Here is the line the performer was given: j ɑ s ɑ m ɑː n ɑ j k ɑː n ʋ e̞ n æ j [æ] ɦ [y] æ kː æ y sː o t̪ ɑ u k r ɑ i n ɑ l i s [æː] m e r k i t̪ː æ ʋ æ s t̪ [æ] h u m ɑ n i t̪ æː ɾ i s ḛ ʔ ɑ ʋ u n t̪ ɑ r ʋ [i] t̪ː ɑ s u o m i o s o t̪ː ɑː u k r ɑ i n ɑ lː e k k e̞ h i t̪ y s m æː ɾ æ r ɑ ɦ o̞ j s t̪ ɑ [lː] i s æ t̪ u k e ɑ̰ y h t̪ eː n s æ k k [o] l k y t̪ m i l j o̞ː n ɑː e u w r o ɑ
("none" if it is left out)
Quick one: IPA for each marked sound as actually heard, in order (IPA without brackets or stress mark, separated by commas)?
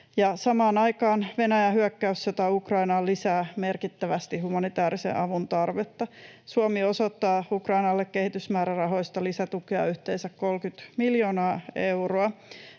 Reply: æ, y, æː, i, e, l, o